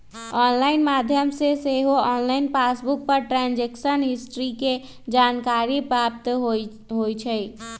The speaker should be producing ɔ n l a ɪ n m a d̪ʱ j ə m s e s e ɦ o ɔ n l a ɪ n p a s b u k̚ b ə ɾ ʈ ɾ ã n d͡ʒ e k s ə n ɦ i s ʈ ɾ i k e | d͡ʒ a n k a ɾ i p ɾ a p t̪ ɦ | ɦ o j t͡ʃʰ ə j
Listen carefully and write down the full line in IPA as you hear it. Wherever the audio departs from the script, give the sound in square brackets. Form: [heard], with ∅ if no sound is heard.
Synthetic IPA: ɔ n l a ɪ n m a d̪ʱ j ə m s e s e ɦ o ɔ n l a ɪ n p a s b u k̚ [p] ə ɾ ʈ ɾ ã n d͡ʒ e k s ə n ɦ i s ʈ ɾ i k e | d͡ʒ a n k a ɾ i p ɾ a p t̪ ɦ | ɦ o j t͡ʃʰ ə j